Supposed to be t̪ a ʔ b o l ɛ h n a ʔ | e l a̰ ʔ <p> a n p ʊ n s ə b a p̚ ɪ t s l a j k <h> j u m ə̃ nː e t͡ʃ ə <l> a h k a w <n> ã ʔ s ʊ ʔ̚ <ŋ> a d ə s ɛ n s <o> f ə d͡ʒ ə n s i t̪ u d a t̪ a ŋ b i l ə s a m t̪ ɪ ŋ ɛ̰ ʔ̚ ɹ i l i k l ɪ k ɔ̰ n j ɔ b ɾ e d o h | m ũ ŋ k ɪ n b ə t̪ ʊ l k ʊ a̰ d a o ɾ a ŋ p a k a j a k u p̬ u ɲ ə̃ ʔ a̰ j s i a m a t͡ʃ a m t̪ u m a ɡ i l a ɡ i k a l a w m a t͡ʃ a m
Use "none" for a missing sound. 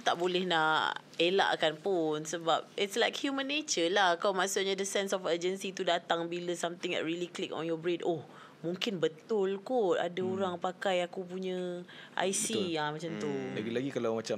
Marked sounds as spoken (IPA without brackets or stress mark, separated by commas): k, h, l, m, ɲ, ɔ